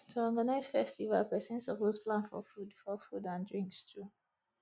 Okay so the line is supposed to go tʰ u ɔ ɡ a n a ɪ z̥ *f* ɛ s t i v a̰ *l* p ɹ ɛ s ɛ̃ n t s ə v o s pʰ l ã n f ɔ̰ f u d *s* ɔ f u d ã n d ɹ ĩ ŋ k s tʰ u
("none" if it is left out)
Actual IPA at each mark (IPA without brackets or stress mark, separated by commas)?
f, l, f